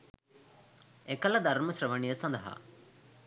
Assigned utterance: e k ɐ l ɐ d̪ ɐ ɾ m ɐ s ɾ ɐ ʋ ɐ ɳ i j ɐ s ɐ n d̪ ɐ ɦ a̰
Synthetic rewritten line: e k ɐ l ɐ d̪ ɐ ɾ m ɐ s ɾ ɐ ʋ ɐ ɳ i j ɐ s ɐ n d̪ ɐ ɦ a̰